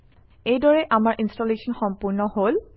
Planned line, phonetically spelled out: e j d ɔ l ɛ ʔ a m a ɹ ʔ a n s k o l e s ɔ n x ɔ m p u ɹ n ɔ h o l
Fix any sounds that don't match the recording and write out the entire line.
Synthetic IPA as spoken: e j d ɔ ɹ ɛ ʔ a m a ɹ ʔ i n s t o l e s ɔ n x ɔ m p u ɹ n ɔ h o l